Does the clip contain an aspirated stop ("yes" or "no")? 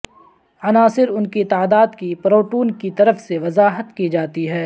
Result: no